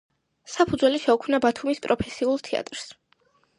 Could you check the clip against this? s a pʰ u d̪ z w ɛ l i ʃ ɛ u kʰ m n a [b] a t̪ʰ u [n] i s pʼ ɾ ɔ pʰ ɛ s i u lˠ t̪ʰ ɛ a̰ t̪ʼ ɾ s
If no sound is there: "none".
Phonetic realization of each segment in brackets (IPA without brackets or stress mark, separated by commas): b, m